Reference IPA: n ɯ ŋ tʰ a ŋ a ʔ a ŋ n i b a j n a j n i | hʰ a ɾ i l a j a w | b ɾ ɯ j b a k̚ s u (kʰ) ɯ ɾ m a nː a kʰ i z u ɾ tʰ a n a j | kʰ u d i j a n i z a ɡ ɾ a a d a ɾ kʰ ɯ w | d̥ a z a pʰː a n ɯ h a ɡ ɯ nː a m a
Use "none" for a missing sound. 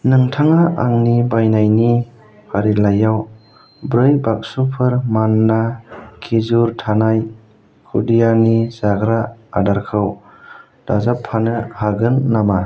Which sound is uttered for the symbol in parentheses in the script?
pʰ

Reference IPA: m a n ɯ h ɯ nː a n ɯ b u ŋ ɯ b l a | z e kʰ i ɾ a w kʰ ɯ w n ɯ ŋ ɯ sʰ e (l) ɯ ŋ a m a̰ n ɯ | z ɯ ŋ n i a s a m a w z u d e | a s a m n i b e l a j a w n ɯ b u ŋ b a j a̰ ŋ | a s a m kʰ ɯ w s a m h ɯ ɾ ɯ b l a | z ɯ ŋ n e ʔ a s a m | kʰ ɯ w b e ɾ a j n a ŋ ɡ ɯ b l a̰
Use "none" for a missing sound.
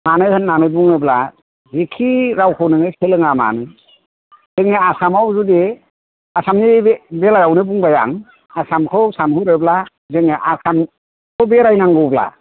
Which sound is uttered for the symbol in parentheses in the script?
l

